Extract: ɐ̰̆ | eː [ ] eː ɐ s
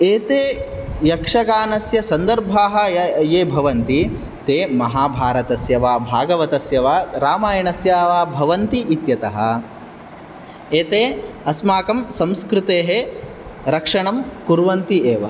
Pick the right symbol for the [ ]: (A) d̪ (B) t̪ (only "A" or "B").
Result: B